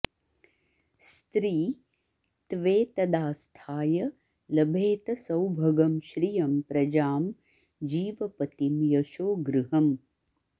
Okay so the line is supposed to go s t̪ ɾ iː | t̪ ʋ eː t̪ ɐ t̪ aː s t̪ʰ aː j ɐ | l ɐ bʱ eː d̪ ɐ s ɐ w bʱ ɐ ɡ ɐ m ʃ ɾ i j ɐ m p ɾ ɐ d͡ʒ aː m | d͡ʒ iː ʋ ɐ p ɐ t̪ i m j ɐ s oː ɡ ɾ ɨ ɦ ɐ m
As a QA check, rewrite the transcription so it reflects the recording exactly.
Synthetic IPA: s t̪ ɾ iː | t̪ ʋ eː t̪ ɐ d̪ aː s t̪ʰ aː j ɐ | l ɐ bʱ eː t̪ ɐ s ɐ w bʱ ɐ ɡ ɐ m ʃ ɾ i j ɐ m p ɾ ɐ d͡ʒ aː m | d͡ʒ iː ʋ ɐ p ɐ t̪ i m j ɐ ʃ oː ɡ ɾ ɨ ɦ ɐ m

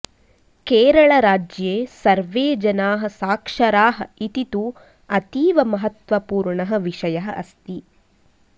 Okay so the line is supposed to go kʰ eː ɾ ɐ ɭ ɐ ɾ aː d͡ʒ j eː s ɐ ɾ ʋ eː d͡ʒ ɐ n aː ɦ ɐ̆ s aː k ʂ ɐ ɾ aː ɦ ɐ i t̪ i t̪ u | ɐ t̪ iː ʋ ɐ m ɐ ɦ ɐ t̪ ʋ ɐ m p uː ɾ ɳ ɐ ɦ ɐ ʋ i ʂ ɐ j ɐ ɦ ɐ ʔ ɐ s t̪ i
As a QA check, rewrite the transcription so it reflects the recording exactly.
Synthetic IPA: k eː ɾ ɐ ɭ ɐ ɾ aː d͡ʒ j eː s ɐ ɾ ʋ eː d͡ʒ ɐ n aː ɦ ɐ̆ s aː k ʂ ɐ ɾ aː ɦ ɐ i t̪ i t̪ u | ɐ t̪ iː ʋ ɐ m ɐ ɦ ɐ t̪ ʋ ɐ p uː ɾ ɳ ɐ ɦ ɐ ʋ i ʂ ɐ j ɐ ɦ ɐ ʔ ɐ s t̪ i

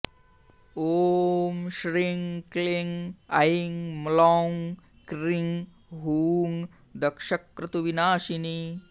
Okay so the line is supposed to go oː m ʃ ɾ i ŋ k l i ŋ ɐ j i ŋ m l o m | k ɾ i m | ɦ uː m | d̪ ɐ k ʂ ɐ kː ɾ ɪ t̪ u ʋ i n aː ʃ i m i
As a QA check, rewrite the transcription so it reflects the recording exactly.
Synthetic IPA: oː m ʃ ɾ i ŋ k l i ŋ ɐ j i ŋ m l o ŋ | k ɾ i ŋ | ɦ uː ŋ | d̪ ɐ k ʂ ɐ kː ɾ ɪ t̪ u ʋ i n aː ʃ i n i

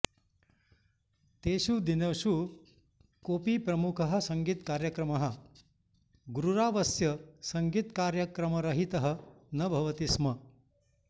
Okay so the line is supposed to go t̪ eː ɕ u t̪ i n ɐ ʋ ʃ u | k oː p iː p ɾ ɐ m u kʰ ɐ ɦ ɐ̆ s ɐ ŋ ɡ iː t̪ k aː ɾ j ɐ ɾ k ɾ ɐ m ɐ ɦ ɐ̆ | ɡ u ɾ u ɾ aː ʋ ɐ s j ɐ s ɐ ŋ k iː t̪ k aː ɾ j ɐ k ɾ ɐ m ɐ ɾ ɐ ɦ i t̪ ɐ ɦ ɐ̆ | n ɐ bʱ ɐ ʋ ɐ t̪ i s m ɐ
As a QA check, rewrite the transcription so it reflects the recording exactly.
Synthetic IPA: t̪ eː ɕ u d̪ i n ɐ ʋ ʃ u | k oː p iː p ɾ ɐ m u kʰ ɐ ɦ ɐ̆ s ɐ ŋ ɡ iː t̪ k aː ɾ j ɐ k ɾ ɐ m ɐ ɦ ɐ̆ | ɡ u ɾ u ɾ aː ʋ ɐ s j ɐ s ɐ ŋ ɡ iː t̪ k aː ɾ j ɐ k ɾ ɐ m ɐ ɾ ɐ ɦ i t̪ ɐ ɦ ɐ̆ | n ɐ bʱ ɐ ʋ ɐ t̪ i s m ɐ

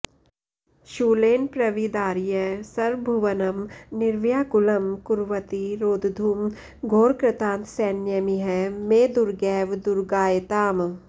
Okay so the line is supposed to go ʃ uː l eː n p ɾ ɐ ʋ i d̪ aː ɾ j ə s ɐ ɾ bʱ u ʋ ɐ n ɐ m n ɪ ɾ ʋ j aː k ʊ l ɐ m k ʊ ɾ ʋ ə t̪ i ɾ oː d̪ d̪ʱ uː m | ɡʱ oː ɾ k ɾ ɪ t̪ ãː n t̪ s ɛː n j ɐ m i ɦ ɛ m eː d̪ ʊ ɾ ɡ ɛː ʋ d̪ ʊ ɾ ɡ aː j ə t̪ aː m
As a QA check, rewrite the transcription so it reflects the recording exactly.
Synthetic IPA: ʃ uː l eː n p ɾ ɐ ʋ i d̪ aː ɾ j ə s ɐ ɾ bʱ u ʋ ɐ n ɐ m n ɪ ɾ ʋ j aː k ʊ l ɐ m k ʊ ɾ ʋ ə t̪ i ɾ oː d̪ d̪ʱ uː m | ɡʱ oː ɾ k ɾ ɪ t̪ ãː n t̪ s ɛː n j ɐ m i ɦ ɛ m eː d̪ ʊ ɾ ɡ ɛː ʋ d̪ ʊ ɾ ɡ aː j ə t̪ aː m

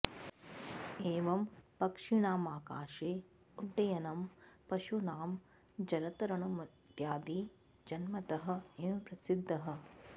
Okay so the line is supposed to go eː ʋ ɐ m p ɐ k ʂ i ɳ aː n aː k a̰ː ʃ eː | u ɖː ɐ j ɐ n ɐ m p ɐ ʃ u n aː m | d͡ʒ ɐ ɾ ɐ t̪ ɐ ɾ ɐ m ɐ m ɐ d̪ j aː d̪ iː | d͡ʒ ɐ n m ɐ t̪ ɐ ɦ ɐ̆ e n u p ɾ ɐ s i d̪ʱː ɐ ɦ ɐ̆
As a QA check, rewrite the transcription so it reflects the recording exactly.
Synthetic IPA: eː ʋ ɐ m p ɐ k ʂ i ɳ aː m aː k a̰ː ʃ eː | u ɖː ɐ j ɐ n ɐ m p ɐ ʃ u n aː m | d͡ʒ ɐ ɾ ɐ t̪ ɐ ɾ ɐ ɳ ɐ m ɐ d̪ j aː d̪ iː | d͡ʒ ɐ n m ɐ t̪ ɐ ɦ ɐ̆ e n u p ɾ ɐ s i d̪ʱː ɐ ɦ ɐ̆

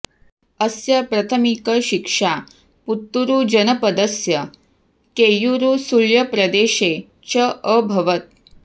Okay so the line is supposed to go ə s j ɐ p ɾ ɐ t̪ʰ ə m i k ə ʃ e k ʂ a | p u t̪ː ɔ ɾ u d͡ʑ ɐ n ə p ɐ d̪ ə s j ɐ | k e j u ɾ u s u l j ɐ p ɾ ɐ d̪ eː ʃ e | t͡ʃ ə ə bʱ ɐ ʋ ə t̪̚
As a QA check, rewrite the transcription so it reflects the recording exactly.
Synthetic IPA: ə s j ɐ p ɾ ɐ t̪ʰ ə m i k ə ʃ i k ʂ a | p u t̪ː u ɾ u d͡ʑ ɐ n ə p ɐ d̪ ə s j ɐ | k e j u ɾ u s u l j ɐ p ɾ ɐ d̪ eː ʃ e | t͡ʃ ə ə bʱ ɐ ʋ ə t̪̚

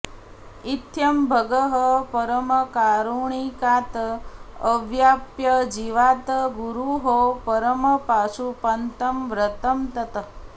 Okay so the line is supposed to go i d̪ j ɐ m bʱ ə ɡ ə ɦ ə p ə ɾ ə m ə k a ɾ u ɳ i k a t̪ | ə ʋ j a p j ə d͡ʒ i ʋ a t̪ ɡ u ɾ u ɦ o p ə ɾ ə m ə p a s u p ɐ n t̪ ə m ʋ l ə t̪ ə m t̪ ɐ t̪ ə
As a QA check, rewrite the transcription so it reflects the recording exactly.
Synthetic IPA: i t̪ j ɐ m bʱ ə ɡ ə ɦ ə p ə ɾ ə m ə k a ɾ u ɳ i k a t̪ | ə ʋ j a p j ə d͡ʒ i ʋ a t̪ ɡ u ɾ u ɦ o p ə ɾ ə m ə p a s u p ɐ n t̪ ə m ʋ ɾ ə t̪ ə m t̪ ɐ t̪ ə

